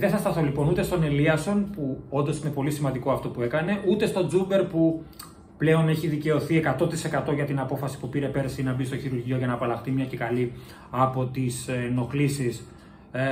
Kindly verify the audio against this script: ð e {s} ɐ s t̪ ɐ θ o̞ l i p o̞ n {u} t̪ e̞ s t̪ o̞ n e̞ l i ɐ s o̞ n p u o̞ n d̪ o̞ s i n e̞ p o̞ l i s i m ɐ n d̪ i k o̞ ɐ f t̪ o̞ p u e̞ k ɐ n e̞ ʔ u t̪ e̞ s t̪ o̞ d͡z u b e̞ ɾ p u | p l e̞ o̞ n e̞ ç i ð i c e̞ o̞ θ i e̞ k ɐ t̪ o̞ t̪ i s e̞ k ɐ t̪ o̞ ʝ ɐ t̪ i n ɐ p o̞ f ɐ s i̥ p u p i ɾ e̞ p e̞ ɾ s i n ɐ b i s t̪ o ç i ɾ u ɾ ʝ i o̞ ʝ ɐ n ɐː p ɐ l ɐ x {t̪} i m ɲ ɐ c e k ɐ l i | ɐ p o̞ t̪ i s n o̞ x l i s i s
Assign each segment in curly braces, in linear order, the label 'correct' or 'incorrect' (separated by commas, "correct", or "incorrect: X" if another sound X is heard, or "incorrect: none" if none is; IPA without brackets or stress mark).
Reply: incorrect: θ, correct, correct